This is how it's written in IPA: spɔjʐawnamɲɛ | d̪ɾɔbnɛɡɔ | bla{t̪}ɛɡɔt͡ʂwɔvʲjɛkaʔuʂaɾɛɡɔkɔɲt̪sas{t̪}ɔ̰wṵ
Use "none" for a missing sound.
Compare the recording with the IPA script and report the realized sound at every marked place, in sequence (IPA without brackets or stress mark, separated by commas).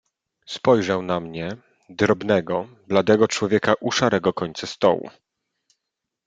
d̪, t̪